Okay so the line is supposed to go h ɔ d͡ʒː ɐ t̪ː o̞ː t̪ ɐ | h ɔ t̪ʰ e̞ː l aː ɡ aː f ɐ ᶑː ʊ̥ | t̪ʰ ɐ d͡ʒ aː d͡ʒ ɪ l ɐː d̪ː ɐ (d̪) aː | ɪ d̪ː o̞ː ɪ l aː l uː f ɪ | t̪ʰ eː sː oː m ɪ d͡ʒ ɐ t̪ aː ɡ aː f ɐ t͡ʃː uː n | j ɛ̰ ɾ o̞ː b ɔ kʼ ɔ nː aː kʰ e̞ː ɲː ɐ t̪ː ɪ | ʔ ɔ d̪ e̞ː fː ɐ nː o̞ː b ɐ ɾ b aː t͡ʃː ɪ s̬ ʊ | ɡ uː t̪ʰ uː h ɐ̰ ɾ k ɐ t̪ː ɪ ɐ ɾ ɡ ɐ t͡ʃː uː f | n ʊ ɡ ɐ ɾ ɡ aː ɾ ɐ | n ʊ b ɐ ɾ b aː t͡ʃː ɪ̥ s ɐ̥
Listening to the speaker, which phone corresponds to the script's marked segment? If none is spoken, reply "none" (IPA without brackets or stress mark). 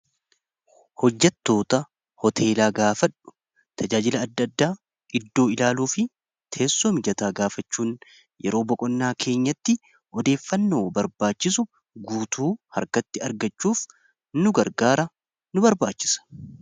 d̪ː